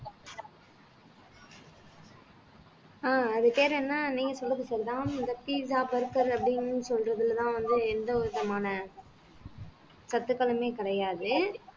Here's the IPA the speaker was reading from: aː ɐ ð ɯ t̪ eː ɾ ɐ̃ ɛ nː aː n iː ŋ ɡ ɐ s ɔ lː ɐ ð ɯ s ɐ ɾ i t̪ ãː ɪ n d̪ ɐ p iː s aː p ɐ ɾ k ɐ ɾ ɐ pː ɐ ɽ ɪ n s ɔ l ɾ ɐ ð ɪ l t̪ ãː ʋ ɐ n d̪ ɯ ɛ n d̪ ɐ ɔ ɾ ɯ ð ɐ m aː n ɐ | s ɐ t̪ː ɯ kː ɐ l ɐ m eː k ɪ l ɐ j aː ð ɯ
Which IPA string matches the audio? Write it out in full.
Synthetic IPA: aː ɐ ð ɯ t̪ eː ɾ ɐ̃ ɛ nː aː n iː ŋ ɡ ɐ s ɔ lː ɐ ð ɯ s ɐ ɾ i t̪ ãː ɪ n d̪ ɐ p iː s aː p ɐ ɾ k ɐ ɾ ɐ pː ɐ ɽ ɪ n s ɔ l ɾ ɐ ð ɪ l t̪ ãː ʋ ɐ n d̪ ɯ ɛ n d̪ ɐ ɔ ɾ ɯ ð ɐ m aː n ɐ | s ɐ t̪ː ɯ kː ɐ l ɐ m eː k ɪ ɽ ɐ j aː ð ɯ